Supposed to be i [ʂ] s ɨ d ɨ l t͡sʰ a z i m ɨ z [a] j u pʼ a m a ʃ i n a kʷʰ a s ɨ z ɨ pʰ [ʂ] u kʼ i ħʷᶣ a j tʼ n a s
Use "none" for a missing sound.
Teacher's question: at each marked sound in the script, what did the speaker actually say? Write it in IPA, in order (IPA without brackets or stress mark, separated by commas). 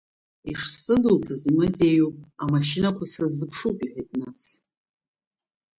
ʂ, e, ʂ